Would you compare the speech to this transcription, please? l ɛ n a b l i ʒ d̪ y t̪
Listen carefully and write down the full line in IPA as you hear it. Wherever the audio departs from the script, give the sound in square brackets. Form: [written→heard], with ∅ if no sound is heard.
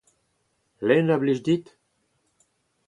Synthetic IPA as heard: l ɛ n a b l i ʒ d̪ [y→i] t̪